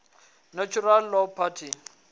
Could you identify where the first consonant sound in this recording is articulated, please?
alveolar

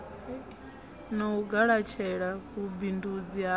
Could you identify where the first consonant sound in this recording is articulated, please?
alveolar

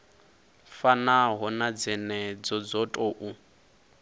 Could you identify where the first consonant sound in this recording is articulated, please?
labial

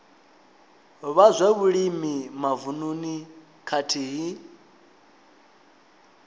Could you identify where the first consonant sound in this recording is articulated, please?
labial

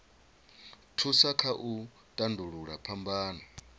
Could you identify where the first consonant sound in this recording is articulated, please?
alveolar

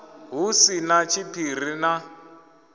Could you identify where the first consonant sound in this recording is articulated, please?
glottal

